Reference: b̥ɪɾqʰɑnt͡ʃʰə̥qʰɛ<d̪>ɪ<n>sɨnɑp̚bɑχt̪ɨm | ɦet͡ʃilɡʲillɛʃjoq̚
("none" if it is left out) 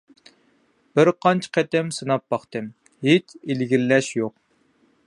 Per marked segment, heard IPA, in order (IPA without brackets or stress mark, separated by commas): t̪, m